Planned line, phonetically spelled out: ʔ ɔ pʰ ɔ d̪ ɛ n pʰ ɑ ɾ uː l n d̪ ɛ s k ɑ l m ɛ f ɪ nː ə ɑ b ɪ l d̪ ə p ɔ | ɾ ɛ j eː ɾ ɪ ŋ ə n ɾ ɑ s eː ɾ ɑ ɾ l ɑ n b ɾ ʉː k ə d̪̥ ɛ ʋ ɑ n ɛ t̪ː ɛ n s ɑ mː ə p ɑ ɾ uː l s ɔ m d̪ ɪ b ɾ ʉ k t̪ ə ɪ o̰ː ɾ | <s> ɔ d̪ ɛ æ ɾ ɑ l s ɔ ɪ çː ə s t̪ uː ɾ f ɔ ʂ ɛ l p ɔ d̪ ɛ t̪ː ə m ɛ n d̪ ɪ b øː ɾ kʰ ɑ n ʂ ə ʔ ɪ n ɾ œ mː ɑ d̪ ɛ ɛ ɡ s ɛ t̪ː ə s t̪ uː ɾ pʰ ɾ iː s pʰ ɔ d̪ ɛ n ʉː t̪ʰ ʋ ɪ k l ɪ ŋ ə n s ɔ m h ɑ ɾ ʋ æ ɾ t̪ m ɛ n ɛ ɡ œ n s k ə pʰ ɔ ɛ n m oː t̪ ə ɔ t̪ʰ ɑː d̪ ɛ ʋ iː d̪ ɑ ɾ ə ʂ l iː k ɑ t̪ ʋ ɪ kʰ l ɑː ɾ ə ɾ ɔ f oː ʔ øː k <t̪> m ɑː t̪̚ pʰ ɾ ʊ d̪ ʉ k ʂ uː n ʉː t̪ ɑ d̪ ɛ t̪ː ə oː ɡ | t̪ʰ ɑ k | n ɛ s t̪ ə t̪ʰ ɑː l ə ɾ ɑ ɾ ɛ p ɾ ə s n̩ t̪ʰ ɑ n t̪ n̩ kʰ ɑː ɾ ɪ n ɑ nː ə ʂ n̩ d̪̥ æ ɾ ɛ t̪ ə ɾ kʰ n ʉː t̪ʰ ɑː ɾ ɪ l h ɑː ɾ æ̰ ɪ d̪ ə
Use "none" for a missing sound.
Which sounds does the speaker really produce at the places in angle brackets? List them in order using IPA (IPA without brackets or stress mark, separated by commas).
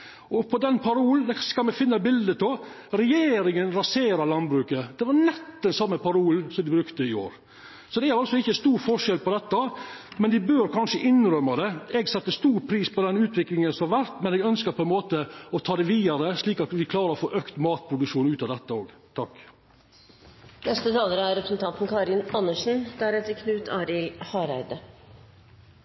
s, t̪